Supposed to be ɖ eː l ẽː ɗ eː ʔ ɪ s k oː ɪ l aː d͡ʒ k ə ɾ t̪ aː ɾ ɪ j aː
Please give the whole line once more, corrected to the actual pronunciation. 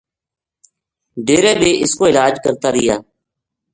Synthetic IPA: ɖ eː ɾ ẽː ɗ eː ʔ ɪ s k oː ɪ l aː d͡ʒ k ə ɾ t̪ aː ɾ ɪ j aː